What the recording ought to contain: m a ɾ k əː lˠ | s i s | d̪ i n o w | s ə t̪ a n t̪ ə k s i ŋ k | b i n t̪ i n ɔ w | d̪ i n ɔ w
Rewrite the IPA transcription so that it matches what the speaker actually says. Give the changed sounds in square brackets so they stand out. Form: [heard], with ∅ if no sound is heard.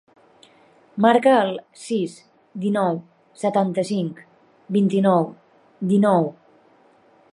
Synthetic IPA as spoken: m a ɾ k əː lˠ | s i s | d̪ i n [ɔ] w | s ə t̪ a n t̪ ə [∅] s i ŋ k | b i n t̪ i n ɔ w | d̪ i n ɔ w